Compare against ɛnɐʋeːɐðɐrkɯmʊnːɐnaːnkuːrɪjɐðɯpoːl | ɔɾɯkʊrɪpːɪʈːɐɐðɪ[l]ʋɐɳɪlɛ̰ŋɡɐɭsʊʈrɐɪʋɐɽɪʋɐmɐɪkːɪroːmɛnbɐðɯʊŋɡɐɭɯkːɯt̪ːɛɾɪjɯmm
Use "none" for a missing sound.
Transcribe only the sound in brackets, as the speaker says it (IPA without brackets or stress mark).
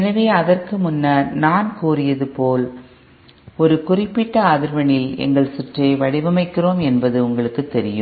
ɾ